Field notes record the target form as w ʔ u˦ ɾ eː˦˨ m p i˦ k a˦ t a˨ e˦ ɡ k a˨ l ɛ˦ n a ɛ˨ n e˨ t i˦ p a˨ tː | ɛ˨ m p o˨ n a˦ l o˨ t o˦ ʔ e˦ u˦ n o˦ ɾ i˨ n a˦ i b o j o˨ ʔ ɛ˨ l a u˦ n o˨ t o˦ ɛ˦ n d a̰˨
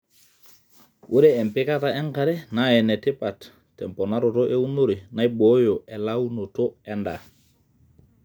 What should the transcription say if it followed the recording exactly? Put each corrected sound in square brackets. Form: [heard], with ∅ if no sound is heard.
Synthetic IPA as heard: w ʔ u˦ ɾ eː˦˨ m p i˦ k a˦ t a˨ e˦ [ŋ] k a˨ [ɾ] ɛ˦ n a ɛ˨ n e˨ t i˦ p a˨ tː | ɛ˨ m p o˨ n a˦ [ɾ] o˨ t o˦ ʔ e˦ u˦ n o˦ ɾ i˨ n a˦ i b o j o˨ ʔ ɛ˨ l a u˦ n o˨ t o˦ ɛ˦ n d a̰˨